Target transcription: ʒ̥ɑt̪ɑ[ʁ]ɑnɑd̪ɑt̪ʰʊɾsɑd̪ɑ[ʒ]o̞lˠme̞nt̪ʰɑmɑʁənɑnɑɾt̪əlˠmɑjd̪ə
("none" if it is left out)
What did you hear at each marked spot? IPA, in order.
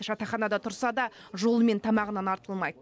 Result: χ, ʒ

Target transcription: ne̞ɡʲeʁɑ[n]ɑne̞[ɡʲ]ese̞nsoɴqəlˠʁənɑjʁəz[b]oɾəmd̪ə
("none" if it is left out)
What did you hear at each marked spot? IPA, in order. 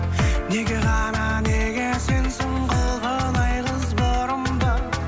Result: n, ɡʲ, b

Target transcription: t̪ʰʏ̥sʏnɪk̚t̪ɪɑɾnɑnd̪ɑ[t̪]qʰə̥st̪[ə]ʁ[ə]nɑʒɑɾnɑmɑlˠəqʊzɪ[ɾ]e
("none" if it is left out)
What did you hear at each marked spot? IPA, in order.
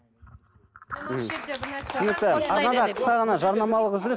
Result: none, ɑ, ɑ, ɾ

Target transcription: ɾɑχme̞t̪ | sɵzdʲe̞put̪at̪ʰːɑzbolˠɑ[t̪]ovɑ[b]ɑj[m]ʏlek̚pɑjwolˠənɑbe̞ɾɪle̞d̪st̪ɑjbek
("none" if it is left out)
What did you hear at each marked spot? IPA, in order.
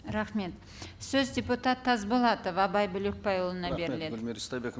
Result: t̪, b, b

